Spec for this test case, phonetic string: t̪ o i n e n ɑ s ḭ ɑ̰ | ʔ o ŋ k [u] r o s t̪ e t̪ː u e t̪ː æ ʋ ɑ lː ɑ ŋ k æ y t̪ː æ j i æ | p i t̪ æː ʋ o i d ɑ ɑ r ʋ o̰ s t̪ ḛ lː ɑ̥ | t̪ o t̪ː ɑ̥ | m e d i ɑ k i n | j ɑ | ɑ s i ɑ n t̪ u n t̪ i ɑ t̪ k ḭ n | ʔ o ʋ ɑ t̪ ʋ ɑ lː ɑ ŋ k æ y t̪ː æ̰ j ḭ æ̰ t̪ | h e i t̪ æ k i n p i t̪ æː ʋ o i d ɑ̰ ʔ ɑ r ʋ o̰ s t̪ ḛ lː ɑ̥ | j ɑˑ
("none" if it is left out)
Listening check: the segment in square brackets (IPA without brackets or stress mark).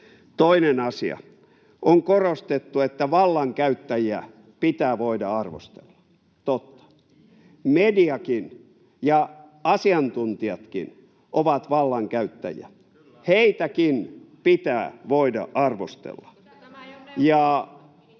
o